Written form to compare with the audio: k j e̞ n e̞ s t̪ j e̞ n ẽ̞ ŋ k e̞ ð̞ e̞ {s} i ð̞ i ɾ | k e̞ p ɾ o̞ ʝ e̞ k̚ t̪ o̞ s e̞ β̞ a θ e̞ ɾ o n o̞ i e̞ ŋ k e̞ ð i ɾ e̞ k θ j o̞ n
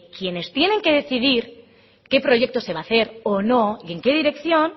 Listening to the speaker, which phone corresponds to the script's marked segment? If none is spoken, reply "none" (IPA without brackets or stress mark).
θ